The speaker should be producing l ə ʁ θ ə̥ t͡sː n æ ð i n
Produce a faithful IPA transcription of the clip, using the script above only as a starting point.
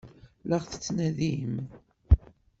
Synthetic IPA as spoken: l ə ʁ θ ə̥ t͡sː n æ ð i m